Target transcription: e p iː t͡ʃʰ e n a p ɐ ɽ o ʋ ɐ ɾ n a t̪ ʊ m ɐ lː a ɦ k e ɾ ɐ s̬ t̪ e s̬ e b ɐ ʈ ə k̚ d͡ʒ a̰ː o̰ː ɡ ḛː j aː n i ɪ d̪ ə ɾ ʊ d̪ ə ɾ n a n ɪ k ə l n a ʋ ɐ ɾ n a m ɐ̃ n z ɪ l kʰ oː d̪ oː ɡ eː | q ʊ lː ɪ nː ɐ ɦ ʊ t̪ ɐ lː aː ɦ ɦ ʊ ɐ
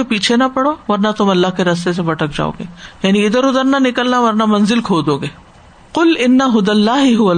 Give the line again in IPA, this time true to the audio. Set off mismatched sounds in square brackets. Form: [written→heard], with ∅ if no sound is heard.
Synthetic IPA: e p iː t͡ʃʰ e n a p ɐ ɽ o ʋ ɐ ɾ n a t̪ ʊ m ɐ lː a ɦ k e ɾ ɐ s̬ t̪ e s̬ e b ɐ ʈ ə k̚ d͡ʒ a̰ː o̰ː ɡ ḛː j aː n i ɪ d̪ ə ɾ ʊ d̪ ə ɾ n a n ɪ k ə l n a ʋ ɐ ɾ n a m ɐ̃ n z ɪ l kʰ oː d̪ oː ɡ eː | q ʊ [lː→l] ɪ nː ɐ ɦ ʊ [t̪→d̪] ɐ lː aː ɦ ɦ ʊ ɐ